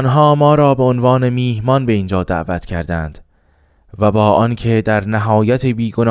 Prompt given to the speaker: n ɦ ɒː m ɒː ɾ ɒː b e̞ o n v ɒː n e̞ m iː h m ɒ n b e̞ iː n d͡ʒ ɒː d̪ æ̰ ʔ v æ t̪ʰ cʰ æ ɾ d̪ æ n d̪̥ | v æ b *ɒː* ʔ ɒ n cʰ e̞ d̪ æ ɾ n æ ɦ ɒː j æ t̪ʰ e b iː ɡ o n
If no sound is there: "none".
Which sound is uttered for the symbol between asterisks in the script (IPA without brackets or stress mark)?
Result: ɒː